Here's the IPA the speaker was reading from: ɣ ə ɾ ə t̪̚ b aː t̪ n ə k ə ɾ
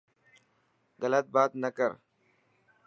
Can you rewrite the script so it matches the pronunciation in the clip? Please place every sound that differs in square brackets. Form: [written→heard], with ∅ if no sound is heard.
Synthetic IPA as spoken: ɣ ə [ɾ→l] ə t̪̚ b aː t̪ n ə k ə ɾ